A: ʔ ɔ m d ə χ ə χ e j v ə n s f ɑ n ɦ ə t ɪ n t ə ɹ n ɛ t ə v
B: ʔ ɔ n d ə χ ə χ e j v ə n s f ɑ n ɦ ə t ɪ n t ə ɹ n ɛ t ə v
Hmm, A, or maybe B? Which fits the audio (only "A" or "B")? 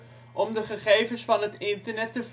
A